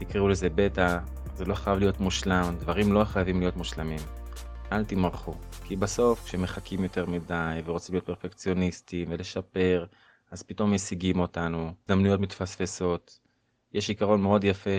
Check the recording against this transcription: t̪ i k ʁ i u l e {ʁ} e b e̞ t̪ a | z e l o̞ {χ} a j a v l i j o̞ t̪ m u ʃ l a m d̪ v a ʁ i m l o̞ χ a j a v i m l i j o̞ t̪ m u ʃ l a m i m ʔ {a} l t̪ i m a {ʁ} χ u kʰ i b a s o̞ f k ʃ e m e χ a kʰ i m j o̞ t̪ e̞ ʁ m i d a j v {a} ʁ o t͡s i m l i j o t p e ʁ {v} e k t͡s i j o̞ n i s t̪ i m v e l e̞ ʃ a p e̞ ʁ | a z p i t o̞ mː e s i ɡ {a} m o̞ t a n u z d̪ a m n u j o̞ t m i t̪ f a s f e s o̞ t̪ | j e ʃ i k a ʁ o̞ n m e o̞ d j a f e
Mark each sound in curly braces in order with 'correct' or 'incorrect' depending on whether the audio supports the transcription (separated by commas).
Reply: incorrect, correct, correct, correct, incorrect, incorrect, incorrect